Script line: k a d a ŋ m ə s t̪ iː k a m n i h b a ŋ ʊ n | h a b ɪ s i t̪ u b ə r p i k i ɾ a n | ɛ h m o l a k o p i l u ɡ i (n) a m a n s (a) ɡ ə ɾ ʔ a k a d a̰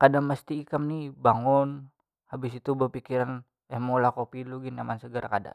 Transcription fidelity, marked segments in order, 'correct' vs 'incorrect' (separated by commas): correct, incorrect